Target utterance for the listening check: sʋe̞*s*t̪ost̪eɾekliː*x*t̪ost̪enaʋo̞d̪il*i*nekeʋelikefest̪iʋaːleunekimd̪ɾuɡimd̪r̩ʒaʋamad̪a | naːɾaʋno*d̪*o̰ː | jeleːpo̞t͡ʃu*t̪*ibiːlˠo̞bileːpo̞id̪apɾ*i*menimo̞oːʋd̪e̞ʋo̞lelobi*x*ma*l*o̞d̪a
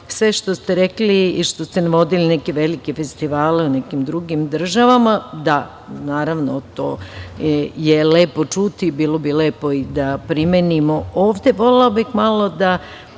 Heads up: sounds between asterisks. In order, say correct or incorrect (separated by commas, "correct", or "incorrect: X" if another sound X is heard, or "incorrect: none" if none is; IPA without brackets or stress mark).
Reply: incorrect: ʃ, incorrect: ʃ, correct, incorrect: t̪, correct, correct, correct, correct